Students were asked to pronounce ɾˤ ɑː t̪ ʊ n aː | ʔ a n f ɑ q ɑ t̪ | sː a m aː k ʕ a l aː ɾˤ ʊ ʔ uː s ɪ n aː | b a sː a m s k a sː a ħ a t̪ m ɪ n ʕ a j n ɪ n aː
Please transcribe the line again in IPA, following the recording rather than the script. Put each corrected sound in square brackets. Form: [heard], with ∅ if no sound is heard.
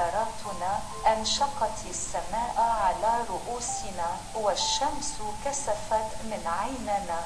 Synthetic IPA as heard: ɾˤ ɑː t̪ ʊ n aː | ʔ a n [ʃ] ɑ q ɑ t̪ | sː a m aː [ʔ] ʕ a l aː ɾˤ ʊ ʔ uː s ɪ n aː | [w] a [ʃː] a m s k a [s] a [f] a t̪ m ɪ n ʕ a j n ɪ n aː